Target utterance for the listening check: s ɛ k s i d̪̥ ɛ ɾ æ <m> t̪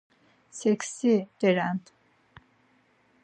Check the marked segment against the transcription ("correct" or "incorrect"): incorrect